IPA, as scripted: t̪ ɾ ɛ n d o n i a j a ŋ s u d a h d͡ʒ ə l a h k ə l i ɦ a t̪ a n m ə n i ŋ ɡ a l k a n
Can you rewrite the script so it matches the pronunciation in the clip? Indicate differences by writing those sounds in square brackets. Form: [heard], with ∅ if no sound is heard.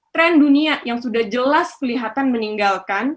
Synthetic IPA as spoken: t̪ ɾ ɛ n d [u] n i a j a ŋ s u d a h d͡ʒ ə l a [s] k ə l i ɦ a t̪ a n m ə n i ŋ ɡ a l k a n